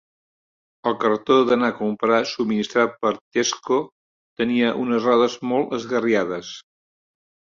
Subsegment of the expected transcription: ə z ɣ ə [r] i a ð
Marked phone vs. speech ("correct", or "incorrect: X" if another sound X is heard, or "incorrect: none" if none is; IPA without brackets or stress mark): correct